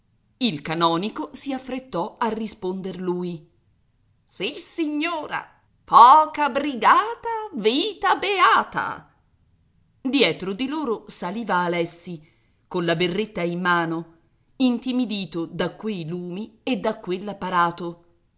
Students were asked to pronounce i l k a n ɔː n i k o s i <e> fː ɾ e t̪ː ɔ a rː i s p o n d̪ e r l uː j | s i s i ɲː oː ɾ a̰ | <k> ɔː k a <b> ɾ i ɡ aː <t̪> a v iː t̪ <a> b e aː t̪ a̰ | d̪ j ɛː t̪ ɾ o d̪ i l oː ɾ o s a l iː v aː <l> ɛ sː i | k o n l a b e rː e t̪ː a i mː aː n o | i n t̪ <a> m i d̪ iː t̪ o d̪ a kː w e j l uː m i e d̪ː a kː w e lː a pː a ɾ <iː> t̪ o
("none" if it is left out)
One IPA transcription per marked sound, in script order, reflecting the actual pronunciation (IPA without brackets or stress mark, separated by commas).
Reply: a, p, b, t̪, a, l, i, aː